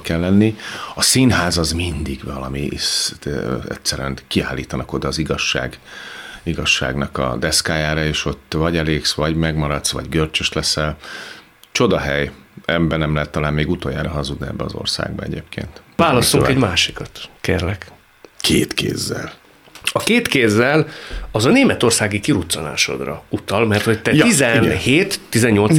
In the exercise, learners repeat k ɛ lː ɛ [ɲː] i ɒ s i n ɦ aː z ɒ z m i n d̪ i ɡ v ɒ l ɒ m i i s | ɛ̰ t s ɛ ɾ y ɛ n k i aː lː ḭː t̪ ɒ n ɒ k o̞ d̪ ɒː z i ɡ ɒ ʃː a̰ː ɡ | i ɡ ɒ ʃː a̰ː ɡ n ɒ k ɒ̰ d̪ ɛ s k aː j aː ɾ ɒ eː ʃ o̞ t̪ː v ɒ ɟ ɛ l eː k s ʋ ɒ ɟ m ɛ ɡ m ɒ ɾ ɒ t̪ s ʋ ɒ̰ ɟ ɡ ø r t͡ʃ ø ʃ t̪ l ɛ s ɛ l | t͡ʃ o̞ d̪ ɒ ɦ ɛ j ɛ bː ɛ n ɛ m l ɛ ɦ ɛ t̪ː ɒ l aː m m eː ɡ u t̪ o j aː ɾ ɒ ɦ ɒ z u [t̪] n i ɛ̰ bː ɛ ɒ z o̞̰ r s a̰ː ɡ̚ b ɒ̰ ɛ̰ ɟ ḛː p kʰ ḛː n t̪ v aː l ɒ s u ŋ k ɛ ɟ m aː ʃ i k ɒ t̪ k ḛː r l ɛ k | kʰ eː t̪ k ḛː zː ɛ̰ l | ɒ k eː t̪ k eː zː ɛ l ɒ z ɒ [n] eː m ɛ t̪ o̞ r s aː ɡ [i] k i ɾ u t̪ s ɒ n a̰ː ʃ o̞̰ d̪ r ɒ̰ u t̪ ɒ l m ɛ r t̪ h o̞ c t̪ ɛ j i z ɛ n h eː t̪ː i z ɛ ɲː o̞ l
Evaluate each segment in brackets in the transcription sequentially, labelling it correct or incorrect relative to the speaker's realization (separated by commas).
incorrect, incorrect, correct, correct